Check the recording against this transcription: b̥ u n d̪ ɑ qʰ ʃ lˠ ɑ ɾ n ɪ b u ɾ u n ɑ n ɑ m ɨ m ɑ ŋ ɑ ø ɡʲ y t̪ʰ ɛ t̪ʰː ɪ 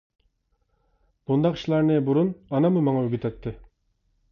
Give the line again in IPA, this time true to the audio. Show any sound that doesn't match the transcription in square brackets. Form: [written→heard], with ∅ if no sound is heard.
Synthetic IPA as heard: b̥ u n d̪ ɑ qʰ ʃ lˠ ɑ ɾ n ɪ b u ɾ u n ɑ n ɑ m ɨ m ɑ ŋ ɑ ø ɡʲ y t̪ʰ ɛ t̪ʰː ɪ